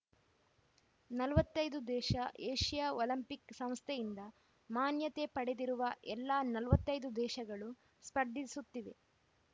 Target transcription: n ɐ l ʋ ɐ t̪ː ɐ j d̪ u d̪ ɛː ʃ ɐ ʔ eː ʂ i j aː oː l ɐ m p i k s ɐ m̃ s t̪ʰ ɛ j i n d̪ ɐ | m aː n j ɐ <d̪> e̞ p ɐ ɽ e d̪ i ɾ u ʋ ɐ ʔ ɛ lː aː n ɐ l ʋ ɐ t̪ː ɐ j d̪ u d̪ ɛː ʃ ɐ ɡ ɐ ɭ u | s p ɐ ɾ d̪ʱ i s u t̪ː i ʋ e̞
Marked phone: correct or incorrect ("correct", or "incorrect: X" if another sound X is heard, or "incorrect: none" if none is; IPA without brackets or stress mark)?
incorrect: t̪